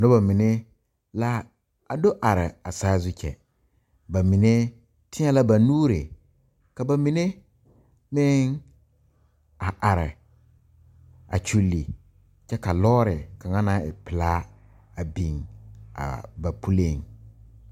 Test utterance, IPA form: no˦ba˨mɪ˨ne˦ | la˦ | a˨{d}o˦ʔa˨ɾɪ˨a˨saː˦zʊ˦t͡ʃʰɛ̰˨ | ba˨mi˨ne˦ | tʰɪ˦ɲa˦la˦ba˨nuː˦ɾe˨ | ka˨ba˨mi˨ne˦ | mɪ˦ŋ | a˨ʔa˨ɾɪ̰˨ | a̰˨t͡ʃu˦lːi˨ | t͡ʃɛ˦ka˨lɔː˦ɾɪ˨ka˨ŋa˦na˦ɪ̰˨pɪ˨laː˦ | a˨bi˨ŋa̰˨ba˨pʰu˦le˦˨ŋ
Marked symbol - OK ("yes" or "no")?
yes